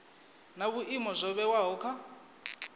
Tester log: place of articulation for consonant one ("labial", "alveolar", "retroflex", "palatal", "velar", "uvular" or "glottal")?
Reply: alveolar